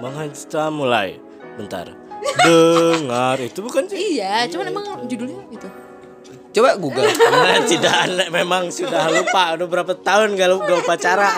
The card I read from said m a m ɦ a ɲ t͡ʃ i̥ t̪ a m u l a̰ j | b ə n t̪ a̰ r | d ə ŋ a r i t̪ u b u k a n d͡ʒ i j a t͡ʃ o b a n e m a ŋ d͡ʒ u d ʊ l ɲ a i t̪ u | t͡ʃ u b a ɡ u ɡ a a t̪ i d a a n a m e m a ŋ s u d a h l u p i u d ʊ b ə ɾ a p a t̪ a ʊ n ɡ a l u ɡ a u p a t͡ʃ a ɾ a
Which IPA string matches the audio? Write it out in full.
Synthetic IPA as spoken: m a ŋ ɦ a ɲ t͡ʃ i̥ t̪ a m u l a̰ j | b ə n t̪ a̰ r | d ə ŋ a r i t̪ u b u k a n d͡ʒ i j a t͡ʃ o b a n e m a ŋ d͡ʒ u d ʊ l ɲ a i t̪ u | t͡ʃ o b a ɡ u ɡ a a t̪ i d a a n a m e m a ŋ s u d a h l u p a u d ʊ b ə ɾ a p a t̪ a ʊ n ɡ a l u ɡ a u p a t͡ʃ a ɾ a